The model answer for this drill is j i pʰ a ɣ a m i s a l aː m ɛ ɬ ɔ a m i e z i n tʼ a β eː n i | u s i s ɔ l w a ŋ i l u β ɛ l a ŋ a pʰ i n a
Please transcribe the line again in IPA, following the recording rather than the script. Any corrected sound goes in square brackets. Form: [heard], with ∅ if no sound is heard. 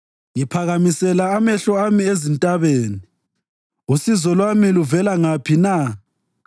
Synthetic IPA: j i pʰ a ɣ a m i s [ɛ] l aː m ɛ ɬ ɔ a m i e z i n tʼ a β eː n i | u s i [z] ɔ l w a [m] i l u [v] ɛ l a ŋ a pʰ i n a